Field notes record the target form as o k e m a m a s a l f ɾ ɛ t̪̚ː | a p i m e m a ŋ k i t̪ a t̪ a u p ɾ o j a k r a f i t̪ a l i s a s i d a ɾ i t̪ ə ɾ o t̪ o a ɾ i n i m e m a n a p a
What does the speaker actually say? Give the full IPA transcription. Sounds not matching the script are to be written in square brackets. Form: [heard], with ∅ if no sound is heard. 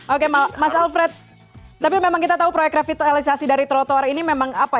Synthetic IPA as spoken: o k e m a m a s a l f ɾ ɛ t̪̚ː | a p i m e m a ŋ k i t̪ a t̪ a u p ɾ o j [ɛ] k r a f i t̪ a l i s a s i d a ɾ i t̪ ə ɾ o t̪ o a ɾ i n i m e m a [ŋ] a p a